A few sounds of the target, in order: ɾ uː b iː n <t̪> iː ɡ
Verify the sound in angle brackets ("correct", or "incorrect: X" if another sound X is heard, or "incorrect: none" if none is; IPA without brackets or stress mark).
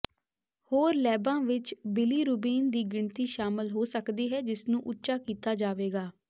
incorrect: d̪